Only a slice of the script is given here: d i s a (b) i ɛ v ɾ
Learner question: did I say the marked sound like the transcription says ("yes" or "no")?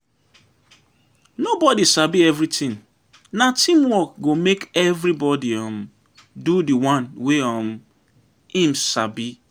yes